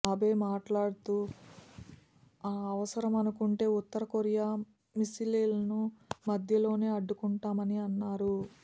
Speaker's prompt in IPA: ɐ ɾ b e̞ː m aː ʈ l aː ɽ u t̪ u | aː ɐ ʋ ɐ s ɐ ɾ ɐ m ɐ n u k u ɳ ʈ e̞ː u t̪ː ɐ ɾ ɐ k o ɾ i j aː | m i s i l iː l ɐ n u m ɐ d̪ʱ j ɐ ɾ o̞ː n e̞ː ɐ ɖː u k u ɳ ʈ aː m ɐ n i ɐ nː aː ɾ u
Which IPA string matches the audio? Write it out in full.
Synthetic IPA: ɐ b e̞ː m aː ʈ l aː ɽ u t̪ u | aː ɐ ʋ ɐ s ɐ ɾ ɐ m ɐ n u k u ɳ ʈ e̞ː u t̪ː ɐ ɾ ɐ k o ɾ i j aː | m i s i l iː l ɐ n u m ɐ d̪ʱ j ɐ l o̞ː n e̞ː ɐ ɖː u k u ɳ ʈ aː m ɐ n i ɐ nː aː ɾ u